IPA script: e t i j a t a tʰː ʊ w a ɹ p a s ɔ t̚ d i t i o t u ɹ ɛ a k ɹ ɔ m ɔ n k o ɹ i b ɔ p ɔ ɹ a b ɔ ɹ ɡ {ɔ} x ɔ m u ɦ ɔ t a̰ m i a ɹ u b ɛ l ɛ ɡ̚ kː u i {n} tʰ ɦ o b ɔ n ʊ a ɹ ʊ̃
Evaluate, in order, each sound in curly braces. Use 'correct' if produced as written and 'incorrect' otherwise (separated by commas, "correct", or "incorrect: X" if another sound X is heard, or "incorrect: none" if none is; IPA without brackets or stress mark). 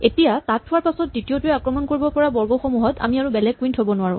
correct, correct